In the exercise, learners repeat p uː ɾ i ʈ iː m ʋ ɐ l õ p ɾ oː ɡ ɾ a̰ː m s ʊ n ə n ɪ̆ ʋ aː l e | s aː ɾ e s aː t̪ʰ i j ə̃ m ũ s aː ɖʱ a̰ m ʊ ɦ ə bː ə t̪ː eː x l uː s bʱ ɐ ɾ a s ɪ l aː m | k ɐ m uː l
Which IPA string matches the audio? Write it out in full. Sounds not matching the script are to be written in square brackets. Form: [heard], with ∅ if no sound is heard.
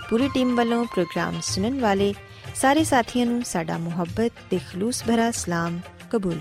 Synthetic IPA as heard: p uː ɾ i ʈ iː m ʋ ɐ l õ p ɾ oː ɡ ɾ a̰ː m s ʊ n ə n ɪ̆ ʋ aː l e | s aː ɾ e s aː t̪ʰ i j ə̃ [n] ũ s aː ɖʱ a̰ m ʊ ɦ ə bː ə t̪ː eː x l uː s bʱ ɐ ɾ a s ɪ l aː m | k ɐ [b] uː l